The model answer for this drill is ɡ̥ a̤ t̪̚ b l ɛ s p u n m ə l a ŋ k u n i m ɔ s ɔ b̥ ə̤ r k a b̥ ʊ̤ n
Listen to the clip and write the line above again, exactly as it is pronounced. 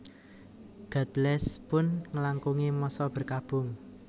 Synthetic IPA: ɡ̥ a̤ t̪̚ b l ɛ s p ʊ n ŋ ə l a ŋ k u ŋ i m ɔ s ɔ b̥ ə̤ r k a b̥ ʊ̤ ŋ